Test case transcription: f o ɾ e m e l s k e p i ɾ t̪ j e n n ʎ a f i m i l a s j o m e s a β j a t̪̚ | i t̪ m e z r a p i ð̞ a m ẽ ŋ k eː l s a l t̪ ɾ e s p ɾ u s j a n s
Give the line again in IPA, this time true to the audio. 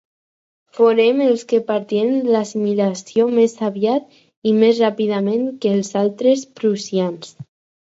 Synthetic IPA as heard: f o ɾ e m e l s k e p a ɾ t̪ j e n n l a s i m i l a s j o m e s a β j a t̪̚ | i m e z r a p i ð̞ a m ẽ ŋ k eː l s a l t̪ ɾ e s p ɾ u s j a n s